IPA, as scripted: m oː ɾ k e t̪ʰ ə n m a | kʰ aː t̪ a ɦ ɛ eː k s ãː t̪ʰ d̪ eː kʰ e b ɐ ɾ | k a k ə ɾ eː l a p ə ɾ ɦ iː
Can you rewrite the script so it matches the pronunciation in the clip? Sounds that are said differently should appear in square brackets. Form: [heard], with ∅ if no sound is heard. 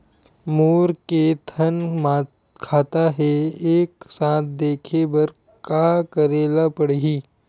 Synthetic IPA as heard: m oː ɾ k e t̪ʰ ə n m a | kʰ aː t̪ a ɦ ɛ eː k s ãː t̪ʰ d̪ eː kʰ e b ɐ ɾ | k a k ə ɾ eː l a p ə [ɽ] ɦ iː